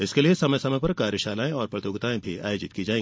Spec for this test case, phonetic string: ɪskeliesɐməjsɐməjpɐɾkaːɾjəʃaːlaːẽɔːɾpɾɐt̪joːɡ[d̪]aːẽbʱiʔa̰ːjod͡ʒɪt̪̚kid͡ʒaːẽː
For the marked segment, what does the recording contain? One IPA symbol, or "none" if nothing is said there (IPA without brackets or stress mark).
t̪